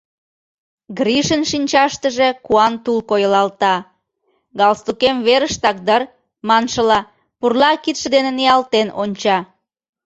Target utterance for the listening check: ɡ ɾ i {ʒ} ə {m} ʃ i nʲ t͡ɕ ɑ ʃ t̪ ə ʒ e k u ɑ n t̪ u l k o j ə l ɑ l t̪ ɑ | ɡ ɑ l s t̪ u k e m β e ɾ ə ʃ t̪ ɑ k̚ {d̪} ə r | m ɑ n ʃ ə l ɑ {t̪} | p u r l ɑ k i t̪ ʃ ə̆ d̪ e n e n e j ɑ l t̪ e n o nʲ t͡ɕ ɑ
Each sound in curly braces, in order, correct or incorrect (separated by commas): incorrect, incorrect, correct, incorrect